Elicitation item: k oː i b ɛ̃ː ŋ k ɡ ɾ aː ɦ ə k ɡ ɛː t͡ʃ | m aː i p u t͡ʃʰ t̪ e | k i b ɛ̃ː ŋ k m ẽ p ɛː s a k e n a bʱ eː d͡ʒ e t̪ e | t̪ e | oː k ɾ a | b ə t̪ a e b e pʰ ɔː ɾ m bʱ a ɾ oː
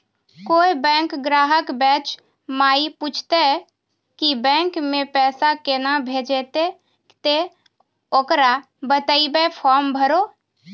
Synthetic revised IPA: k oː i b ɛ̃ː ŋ k ɡ ɾ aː ɦ ə k b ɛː t͡ʃ | m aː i p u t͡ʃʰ t̪ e | k i b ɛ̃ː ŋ k m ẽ p ɛː s a k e n a bʱ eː d͡ʒ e t̪ e | t̪ e | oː k ɾ a | b ə t̪ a i b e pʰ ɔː ɾ m bʱ ə ɾ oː